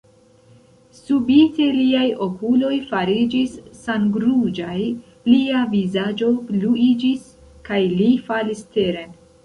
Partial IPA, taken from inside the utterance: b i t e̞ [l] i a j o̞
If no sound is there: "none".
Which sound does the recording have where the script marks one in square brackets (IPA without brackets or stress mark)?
l